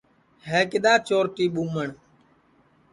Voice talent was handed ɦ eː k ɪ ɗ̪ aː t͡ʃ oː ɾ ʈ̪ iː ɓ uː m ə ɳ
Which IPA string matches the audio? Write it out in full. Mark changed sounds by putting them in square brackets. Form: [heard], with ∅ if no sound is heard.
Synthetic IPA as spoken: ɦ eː k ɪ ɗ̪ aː t͡ʃ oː ɾ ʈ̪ iː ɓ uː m ə ɳ